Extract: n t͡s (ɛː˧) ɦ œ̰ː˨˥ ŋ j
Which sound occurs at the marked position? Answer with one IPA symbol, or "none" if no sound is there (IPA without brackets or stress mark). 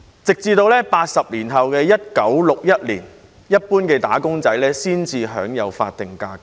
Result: iː˧